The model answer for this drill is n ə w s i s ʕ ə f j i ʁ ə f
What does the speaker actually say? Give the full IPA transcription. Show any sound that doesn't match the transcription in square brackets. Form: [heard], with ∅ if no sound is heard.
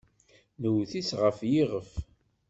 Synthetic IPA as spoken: n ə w [θ] i s [ʁ] ə f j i ʁ ə f